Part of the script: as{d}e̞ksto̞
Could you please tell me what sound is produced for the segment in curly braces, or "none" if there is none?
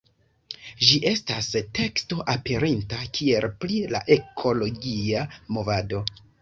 t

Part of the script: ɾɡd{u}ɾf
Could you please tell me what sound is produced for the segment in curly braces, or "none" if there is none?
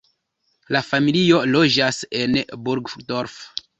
o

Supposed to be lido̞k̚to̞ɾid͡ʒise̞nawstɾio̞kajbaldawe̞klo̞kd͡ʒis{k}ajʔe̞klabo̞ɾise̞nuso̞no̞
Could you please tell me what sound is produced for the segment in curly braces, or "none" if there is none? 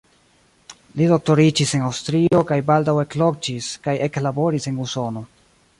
k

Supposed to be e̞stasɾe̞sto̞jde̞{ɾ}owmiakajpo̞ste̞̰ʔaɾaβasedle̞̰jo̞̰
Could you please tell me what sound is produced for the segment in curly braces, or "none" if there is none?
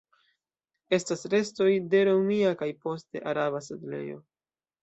ɾ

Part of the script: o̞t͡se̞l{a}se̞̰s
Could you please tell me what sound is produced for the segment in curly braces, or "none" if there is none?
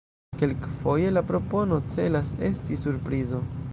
a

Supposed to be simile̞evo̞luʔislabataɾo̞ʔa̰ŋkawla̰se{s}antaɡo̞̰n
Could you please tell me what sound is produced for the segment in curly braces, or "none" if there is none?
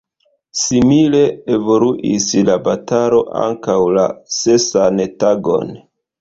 s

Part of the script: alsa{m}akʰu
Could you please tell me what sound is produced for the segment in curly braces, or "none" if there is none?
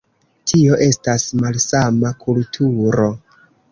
m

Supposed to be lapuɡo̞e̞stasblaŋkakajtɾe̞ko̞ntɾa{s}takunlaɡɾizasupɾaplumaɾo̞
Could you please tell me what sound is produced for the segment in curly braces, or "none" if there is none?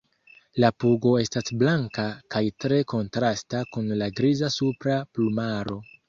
s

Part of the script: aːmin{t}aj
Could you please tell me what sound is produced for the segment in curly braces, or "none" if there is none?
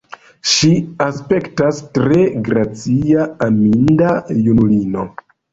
d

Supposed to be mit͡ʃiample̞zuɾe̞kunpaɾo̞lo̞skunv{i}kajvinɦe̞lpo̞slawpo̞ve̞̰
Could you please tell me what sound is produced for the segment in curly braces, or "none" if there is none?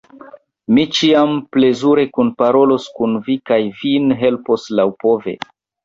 i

